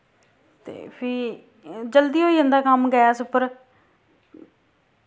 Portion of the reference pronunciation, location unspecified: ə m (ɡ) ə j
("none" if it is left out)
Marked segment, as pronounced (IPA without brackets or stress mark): ɡ